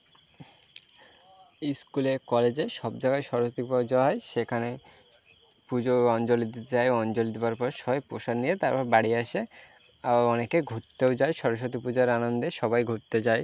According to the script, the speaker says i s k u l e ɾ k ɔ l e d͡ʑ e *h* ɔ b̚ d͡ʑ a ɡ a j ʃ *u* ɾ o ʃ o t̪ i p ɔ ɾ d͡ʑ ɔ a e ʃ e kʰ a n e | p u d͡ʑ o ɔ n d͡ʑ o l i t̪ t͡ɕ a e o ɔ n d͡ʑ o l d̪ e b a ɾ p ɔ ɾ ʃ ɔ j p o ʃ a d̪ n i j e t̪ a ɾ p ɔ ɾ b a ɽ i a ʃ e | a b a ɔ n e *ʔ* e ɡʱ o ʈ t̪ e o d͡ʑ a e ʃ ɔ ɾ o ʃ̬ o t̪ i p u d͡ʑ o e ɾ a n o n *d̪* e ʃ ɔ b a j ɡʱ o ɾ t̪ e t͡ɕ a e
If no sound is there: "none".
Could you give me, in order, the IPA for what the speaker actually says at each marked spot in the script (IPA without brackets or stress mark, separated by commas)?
ʃ, ɔ, k, d̪